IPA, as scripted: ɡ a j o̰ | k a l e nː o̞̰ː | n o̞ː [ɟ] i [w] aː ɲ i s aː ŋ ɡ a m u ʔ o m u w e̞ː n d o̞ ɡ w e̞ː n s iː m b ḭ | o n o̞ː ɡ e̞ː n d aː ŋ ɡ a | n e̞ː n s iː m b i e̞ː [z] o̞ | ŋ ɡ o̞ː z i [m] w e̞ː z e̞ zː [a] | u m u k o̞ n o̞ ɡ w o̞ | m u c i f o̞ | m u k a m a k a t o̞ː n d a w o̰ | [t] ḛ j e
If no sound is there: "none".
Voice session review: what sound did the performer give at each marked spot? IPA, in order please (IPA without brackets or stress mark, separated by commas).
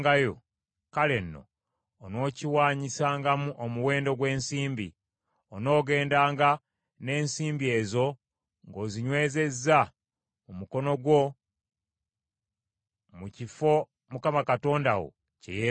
c, w, z, ɲ, a, c